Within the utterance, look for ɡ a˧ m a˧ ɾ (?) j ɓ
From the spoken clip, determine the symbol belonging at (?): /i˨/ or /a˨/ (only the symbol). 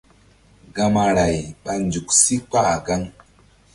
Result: a˨